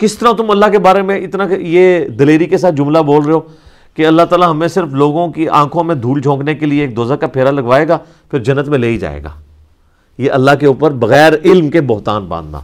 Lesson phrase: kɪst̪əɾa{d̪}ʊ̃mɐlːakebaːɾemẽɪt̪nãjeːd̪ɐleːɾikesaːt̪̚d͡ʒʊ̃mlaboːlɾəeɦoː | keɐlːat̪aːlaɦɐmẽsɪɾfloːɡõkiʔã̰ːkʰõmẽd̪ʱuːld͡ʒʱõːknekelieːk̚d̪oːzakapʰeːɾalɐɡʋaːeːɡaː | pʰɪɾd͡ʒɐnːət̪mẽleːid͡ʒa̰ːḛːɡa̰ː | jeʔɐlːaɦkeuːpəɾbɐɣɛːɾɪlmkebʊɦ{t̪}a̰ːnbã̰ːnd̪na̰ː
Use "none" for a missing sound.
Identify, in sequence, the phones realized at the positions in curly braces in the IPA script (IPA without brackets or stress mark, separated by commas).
t̪, t̪